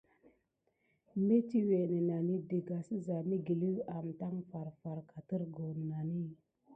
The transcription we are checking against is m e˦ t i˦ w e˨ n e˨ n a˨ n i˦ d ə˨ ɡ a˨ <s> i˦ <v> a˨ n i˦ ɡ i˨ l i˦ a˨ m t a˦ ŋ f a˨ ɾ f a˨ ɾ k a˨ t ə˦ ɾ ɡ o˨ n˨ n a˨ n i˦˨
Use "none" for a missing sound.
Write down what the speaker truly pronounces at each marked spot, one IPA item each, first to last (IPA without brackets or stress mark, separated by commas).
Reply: s, z